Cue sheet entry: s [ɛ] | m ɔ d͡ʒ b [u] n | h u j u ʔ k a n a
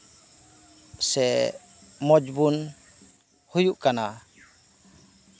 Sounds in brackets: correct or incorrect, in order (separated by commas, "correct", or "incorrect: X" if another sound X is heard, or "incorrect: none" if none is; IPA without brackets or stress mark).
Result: correct, correct